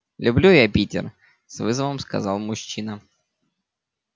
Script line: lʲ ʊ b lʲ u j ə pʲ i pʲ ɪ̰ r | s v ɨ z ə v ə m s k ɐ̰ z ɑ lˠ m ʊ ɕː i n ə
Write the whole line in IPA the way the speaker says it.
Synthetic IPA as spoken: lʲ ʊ b lʲ u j a pʲ i tʲ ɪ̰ r | s v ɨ z ə v ə m s k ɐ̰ z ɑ lˠ m ʊ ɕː i n ə